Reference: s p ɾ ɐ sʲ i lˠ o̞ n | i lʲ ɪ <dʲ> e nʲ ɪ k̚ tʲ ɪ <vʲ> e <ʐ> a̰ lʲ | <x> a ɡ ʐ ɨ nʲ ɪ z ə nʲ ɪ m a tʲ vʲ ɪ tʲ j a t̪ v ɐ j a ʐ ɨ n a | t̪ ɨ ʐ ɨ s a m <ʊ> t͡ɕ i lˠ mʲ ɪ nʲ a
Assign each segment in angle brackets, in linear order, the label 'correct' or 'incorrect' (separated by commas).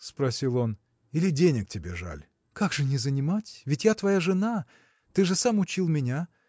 correct, incorrect, correct, incorrect, correct